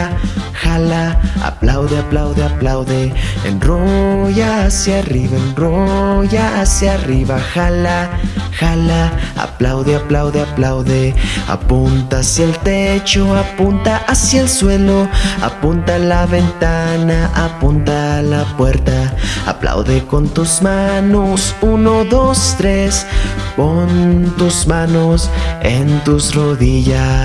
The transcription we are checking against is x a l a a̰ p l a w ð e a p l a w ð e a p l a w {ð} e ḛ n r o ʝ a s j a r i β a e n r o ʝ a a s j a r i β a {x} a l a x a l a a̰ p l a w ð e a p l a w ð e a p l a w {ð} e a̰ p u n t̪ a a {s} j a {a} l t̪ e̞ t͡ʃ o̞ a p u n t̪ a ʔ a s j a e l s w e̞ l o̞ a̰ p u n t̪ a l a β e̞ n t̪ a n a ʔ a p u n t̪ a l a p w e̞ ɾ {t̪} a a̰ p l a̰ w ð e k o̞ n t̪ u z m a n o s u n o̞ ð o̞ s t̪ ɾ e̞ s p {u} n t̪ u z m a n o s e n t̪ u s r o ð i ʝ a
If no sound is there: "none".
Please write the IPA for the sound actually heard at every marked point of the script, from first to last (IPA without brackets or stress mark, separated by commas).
ð, x, ð, s, e, t̪, o